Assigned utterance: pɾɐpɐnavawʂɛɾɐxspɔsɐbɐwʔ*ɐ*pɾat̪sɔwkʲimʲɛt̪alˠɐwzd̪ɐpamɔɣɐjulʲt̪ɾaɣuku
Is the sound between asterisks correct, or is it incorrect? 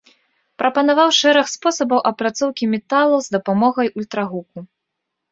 correct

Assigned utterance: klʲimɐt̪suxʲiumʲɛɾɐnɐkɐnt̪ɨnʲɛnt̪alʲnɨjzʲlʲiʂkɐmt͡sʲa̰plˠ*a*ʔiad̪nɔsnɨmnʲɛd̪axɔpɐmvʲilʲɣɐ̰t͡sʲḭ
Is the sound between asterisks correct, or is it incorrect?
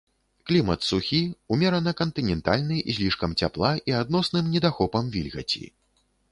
correct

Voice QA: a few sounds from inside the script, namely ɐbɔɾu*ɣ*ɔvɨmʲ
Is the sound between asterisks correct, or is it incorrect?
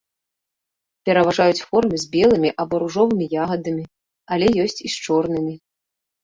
incorrect: ʐ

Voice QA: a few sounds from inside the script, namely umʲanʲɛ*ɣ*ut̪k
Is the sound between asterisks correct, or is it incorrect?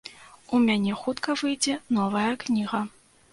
incorrect: x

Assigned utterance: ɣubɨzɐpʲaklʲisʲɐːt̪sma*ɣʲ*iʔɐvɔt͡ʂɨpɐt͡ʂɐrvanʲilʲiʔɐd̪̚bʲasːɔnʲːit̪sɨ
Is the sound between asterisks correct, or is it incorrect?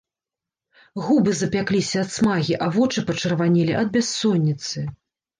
correct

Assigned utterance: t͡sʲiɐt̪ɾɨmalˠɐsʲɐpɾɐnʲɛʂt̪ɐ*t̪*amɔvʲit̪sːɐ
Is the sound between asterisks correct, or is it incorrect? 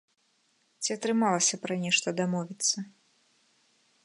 incorrect: d̪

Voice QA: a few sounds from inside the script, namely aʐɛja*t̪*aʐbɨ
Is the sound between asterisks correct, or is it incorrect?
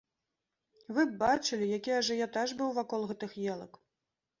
correct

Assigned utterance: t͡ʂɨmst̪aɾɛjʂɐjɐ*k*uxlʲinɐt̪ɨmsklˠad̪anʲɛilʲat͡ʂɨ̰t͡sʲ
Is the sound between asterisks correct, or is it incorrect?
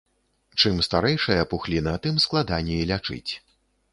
incorrect: p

